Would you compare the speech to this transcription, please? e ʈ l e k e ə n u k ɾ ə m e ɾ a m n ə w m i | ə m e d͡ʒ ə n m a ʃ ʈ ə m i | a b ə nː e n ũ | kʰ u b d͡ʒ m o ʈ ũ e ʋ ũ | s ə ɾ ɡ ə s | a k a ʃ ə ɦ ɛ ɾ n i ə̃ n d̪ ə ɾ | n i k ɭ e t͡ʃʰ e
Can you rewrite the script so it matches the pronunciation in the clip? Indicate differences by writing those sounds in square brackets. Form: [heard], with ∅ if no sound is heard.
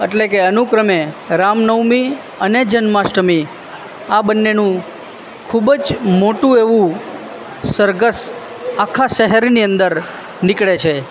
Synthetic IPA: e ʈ l e k e ə n u k ɾ ə m e ɾ a m n ə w m i | ə [n] e d͡ʒ ə n m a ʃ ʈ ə m i | a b ə nː e n ũ | kʰ u b d͡ʒ m o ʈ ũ e ʋ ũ | s ə ɾ ɡ ə s | a [kʰ] a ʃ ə ɦ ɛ ɾ n i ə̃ n d̪ ə ɾ | n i k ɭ e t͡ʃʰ e